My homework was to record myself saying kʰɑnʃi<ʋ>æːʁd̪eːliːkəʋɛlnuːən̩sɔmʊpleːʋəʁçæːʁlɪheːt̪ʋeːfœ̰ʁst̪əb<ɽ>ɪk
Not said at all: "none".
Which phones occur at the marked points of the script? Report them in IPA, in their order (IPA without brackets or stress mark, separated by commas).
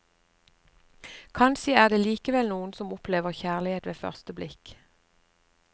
none, l